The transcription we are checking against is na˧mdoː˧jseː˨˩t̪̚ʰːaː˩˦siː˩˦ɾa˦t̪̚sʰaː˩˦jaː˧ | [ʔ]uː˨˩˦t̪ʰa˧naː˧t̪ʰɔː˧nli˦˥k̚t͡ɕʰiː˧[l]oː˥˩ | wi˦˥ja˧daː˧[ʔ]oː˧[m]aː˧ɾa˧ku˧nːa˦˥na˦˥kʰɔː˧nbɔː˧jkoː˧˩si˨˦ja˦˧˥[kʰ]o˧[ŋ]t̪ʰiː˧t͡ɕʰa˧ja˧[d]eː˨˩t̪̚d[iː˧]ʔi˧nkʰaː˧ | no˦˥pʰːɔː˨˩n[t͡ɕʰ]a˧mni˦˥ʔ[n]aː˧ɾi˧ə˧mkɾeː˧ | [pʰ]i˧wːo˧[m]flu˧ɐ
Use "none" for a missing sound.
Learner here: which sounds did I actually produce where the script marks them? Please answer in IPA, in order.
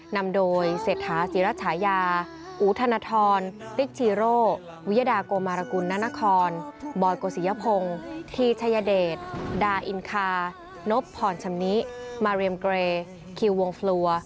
ʔ, ɾ, k, m, pʰ, ŋ, d, aː˧, t͡ɕʰ, m, kʰ, ŋ

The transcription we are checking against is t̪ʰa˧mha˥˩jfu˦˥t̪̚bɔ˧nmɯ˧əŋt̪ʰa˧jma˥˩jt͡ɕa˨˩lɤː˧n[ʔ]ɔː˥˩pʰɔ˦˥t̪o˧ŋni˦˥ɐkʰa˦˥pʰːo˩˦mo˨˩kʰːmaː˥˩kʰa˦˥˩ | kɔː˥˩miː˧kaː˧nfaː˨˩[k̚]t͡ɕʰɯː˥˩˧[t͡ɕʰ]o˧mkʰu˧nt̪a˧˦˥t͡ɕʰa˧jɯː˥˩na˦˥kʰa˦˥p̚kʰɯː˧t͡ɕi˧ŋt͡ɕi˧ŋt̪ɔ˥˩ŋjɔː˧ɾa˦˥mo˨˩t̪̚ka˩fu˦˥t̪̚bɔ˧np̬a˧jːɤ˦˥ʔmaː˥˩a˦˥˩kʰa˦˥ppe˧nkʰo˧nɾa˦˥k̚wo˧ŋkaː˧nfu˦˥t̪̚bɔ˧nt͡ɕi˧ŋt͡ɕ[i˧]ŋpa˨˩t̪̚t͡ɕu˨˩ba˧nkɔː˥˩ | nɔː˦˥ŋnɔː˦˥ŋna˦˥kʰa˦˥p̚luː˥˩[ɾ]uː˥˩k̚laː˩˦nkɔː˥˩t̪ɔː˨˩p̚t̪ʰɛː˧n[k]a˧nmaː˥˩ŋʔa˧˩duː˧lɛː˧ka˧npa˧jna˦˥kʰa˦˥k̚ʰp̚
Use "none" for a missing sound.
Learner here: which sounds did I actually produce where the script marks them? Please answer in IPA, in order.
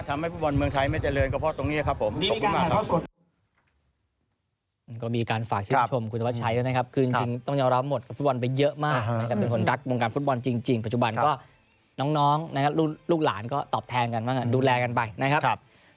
k, k̚, t͡ɕʰ, i˧, l, k

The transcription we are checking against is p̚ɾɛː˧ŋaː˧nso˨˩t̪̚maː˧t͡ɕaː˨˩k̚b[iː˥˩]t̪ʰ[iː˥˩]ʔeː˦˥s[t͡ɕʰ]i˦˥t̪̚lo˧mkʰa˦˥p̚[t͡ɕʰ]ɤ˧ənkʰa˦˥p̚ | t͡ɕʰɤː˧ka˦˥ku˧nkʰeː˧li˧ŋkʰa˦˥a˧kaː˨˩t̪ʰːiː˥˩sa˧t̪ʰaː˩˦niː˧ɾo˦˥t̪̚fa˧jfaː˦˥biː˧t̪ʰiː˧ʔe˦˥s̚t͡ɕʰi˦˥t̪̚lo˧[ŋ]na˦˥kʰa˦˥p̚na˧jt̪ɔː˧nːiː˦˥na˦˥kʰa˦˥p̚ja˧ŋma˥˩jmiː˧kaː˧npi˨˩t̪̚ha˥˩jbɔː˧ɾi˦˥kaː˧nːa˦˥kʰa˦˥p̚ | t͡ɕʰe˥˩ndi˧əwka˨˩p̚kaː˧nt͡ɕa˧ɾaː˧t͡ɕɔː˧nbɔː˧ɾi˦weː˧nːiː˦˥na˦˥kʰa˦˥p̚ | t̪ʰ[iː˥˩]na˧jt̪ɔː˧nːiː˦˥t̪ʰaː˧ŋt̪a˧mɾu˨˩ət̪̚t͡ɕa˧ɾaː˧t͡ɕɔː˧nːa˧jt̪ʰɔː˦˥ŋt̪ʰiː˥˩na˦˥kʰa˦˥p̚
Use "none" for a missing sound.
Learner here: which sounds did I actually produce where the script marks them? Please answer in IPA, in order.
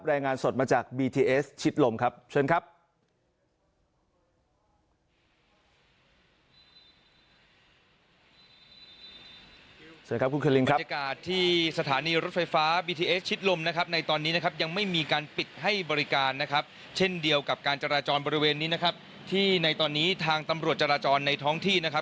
iː˧, iː˧, t͡ɕʰ, t͡ɕʰ, m, iː˥˩

